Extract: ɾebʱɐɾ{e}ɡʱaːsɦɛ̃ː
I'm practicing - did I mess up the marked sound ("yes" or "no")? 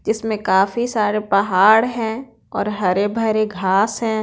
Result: no